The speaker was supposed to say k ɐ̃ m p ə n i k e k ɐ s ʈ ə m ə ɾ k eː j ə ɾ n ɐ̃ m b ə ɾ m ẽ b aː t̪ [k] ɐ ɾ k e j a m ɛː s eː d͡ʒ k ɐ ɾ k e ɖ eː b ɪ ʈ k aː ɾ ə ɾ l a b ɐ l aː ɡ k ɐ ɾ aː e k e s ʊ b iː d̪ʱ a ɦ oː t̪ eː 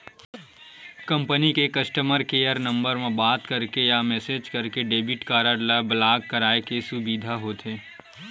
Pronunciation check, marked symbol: correct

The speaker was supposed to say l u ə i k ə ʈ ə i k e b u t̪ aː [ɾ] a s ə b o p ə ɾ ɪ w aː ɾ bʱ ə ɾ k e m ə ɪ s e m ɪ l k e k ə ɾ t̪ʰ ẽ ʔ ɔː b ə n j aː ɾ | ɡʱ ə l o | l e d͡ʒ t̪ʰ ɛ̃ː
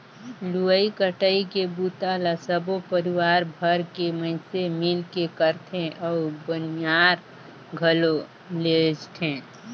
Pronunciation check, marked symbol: incorrect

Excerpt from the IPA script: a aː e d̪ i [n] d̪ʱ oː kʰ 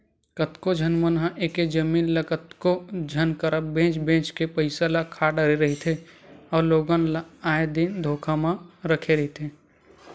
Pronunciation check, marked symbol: correct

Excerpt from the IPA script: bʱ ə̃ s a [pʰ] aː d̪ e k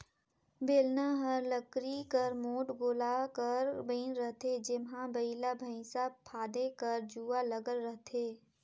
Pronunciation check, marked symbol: correct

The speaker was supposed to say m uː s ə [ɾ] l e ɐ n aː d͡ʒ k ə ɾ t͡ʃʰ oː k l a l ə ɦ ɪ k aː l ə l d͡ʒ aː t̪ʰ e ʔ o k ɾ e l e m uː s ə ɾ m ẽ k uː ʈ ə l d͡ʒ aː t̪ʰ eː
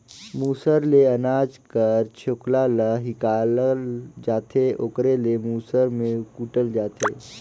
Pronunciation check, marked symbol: correct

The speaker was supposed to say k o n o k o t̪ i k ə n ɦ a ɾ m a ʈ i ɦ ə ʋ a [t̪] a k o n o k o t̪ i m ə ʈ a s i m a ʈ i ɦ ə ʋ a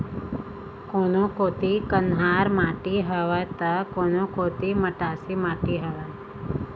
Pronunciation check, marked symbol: correct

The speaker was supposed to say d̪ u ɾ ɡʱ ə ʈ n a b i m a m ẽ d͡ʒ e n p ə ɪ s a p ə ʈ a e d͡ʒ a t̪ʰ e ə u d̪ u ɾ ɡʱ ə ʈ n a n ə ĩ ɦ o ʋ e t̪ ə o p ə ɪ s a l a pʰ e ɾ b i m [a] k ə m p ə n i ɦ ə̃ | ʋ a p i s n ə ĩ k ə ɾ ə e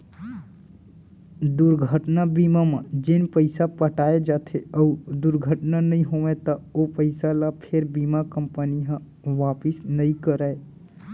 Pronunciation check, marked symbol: correct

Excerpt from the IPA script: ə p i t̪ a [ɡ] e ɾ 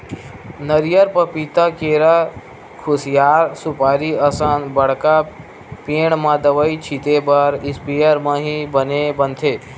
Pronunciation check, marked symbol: incorrect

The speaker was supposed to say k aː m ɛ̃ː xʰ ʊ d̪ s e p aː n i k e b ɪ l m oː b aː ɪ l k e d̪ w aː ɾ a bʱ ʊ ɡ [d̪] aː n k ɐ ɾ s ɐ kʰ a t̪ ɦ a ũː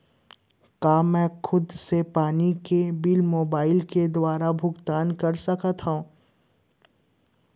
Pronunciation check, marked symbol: incorrect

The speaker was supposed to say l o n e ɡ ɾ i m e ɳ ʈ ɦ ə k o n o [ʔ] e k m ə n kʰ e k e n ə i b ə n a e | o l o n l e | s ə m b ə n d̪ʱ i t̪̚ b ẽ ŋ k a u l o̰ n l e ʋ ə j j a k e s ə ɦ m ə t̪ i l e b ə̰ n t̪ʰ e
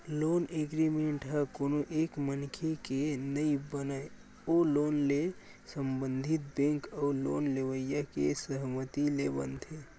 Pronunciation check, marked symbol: correct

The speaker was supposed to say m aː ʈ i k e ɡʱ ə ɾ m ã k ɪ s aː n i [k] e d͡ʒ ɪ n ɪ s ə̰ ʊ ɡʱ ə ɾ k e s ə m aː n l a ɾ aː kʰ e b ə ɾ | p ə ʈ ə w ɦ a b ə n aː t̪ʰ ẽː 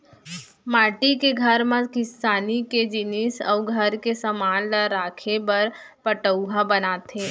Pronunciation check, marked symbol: correct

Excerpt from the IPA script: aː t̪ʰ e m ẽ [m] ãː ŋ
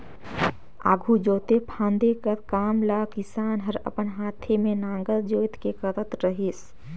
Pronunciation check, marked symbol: incorrect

